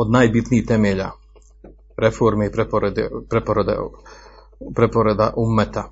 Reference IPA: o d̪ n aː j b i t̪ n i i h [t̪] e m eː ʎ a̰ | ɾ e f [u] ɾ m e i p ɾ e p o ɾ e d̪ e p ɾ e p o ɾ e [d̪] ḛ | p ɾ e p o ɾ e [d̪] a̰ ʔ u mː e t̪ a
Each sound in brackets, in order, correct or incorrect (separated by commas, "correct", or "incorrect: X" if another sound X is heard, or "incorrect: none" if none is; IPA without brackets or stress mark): correct, incorrect: o, correct, correct